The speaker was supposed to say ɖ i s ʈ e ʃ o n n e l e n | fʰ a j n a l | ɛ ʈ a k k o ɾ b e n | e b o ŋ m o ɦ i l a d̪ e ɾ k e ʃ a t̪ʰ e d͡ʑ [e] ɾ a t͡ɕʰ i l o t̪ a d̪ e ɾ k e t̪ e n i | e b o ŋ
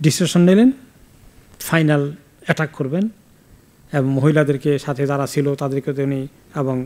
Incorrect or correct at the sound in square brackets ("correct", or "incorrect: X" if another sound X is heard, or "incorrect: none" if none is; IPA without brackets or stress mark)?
incorrect: a